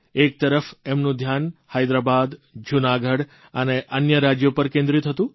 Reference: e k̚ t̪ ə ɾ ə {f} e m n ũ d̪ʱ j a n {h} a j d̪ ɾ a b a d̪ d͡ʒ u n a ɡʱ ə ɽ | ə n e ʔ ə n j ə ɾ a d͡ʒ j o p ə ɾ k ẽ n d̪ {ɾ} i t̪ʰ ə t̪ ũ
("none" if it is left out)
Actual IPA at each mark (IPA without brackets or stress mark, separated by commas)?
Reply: f, h, ɾ